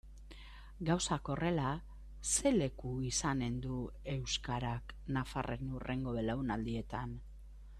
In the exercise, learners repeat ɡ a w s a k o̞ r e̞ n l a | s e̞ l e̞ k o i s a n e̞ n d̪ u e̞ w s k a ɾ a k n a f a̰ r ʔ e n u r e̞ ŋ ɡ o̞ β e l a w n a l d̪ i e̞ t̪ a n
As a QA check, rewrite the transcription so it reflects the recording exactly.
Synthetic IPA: ɡ a w s a k o̞ r e̞ l a | s e̞ l e̞ k u i s a n e̞ n d̪ u e̞ w s k a ɾ a k n a f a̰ r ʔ e n u r e̞ ŋ ɡ o̞ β e l a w n a l d̪ i e̞ t̪ a n